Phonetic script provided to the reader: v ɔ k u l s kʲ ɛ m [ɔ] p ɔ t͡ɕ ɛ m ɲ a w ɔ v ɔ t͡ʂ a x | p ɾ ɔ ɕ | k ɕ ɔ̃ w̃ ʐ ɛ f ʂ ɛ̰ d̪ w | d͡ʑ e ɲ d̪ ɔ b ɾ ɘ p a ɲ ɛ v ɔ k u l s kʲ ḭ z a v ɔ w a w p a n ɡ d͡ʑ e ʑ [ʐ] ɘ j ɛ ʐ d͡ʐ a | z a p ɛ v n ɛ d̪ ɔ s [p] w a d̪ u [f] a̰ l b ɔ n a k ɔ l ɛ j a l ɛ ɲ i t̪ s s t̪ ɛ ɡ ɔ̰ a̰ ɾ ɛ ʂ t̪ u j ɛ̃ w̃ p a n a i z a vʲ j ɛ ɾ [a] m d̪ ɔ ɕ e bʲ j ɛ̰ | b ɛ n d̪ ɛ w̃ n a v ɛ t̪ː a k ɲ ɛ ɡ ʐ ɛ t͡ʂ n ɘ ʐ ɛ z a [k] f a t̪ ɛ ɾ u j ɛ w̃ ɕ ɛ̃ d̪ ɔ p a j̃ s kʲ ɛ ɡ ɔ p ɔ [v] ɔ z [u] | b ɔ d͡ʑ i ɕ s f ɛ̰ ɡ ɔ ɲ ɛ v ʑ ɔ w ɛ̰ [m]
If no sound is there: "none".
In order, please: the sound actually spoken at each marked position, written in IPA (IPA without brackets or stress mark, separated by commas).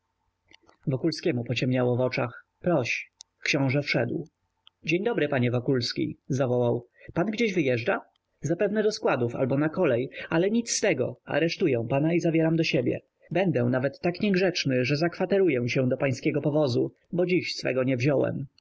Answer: u, v, k, f, a, k, v, u, m